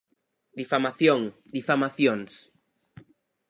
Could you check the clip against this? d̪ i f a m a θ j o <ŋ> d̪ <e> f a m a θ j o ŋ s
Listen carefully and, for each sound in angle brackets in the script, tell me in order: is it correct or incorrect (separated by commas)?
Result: correct, incorrect